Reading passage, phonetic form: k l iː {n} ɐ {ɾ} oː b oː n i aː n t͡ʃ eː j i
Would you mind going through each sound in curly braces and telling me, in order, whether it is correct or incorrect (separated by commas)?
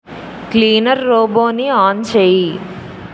correct, incorrect